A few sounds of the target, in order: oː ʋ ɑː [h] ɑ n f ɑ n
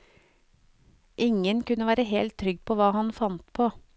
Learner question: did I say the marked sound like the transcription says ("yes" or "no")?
yes